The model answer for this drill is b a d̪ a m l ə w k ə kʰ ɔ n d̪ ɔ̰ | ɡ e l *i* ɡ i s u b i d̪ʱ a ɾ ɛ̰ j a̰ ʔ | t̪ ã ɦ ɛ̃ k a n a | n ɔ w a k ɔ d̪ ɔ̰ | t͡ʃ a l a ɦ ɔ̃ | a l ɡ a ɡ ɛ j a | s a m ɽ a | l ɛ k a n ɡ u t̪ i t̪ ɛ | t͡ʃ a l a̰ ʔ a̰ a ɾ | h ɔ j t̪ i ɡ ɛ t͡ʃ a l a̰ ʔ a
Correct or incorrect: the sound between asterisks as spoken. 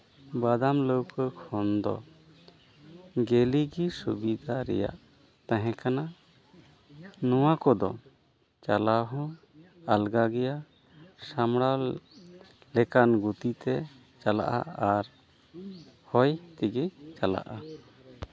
correct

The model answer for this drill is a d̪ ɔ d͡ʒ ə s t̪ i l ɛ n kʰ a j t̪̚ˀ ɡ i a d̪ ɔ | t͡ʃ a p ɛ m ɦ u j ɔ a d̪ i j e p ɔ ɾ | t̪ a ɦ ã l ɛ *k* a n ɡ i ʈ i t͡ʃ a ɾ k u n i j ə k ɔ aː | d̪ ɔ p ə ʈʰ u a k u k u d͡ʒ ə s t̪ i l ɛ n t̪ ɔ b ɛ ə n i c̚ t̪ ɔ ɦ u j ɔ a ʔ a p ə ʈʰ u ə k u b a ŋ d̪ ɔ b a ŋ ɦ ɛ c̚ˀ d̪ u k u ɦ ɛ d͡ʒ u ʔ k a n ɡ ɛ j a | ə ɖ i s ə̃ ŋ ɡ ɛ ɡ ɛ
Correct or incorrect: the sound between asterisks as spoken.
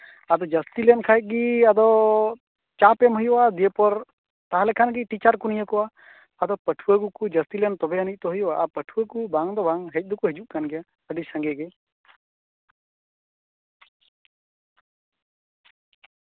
incorrect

